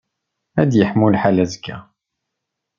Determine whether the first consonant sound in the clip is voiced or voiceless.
voiced